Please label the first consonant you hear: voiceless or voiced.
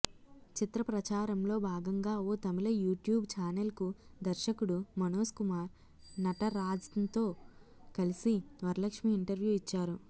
voiceless